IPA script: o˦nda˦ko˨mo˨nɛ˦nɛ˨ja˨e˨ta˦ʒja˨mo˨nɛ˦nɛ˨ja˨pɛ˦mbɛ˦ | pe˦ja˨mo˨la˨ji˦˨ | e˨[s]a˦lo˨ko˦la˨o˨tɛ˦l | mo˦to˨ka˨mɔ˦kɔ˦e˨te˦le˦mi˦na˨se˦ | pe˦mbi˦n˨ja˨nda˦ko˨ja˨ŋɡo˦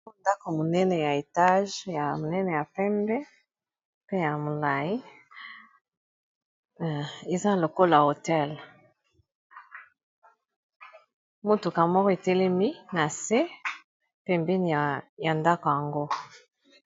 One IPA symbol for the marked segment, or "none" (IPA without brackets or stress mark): z